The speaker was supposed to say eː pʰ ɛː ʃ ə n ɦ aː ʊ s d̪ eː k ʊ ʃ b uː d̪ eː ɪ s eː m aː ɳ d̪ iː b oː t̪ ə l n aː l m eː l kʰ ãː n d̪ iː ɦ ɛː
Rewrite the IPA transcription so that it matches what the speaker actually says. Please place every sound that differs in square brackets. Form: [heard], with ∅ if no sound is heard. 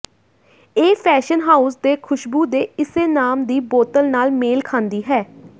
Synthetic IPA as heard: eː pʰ ɛː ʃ ə n ɦ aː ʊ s d̪ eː [kʰ] ʊ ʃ b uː d̪ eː ɪ s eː [n] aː [m] d̪ iː b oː t̪ ə l n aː l m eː l kʰ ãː n d̪ iː ɦ ɛː